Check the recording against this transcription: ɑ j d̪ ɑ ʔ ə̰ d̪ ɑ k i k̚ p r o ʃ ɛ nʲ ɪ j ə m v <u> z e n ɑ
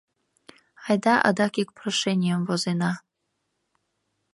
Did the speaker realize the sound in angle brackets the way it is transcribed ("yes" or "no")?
no